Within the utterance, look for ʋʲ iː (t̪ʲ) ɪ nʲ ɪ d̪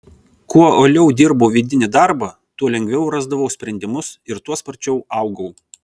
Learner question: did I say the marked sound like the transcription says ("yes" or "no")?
no